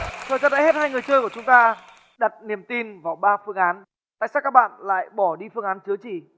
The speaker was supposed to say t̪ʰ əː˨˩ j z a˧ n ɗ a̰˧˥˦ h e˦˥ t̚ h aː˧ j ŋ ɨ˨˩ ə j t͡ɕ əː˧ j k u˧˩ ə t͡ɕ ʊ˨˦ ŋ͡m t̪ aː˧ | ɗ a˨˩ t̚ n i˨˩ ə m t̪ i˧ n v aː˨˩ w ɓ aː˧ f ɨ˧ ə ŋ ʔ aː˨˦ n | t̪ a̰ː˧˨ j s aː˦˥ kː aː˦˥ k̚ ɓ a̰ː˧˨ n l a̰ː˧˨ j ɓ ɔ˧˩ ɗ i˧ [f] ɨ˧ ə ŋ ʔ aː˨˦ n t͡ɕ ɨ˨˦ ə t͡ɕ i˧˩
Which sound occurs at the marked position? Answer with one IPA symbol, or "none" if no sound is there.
f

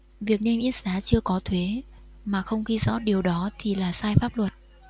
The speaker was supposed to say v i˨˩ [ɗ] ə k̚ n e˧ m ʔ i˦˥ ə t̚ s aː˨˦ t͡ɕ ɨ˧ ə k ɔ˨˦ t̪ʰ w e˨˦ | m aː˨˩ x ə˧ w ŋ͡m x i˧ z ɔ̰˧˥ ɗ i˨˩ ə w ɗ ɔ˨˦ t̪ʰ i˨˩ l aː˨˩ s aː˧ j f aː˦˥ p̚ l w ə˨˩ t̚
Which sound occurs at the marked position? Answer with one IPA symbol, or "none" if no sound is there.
none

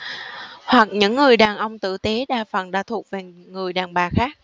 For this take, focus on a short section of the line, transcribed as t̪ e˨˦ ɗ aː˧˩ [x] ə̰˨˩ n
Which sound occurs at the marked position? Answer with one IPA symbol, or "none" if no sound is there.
f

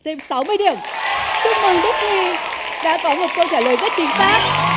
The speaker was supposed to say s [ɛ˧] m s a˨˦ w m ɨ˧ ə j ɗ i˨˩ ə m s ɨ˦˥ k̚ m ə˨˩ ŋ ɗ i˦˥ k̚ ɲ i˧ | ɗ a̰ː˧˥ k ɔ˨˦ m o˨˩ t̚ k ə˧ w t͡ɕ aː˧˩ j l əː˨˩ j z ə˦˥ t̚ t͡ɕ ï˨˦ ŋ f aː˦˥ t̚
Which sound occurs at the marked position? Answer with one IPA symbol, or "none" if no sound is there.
ɛ˧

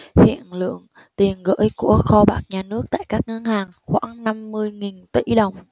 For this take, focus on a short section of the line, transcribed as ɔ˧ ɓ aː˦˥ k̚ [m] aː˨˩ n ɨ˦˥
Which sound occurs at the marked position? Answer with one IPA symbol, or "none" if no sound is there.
ɲ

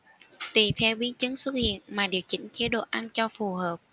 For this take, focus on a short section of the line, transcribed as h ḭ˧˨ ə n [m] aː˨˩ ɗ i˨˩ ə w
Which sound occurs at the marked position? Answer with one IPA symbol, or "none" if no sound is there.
m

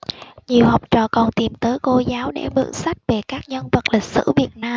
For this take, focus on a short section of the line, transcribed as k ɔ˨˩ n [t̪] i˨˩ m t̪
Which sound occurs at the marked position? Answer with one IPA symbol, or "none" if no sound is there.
t̪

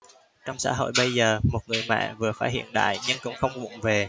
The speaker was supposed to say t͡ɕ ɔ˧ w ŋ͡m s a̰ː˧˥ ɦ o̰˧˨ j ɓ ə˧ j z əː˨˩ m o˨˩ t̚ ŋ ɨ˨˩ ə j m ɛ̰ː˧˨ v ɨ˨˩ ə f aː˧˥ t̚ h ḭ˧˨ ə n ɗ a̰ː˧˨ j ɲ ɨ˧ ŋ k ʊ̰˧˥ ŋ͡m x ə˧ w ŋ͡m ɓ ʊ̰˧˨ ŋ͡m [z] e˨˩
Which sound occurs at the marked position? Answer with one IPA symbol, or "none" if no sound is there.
v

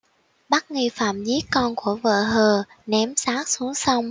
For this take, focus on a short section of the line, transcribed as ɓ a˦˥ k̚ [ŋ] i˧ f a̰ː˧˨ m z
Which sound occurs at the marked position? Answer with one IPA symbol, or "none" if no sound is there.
ŋ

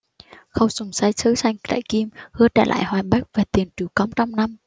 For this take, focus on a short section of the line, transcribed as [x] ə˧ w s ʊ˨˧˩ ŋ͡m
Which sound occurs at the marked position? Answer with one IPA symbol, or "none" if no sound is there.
x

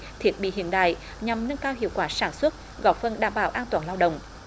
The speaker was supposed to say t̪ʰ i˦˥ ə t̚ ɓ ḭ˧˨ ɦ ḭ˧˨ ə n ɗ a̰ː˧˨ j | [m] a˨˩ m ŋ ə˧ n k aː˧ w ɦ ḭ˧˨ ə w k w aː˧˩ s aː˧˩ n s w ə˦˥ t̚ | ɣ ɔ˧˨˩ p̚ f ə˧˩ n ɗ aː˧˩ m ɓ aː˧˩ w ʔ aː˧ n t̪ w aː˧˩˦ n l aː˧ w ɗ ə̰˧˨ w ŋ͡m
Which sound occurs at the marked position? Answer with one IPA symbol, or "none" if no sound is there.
ɲ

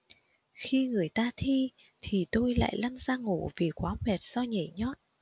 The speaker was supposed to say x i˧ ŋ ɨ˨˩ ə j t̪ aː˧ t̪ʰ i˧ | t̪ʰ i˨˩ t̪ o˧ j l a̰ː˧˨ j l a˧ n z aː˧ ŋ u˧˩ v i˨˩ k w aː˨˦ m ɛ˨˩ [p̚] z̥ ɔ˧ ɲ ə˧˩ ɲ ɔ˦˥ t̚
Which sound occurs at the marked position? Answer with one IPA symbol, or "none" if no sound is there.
t̚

